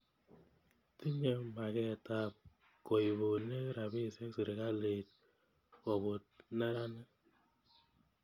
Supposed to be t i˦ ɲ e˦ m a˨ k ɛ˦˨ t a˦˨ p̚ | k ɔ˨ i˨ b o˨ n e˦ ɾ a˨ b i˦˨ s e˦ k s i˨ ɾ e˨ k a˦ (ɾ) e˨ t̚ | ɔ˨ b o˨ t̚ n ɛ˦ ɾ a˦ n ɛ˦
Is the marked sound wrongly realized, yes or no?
yes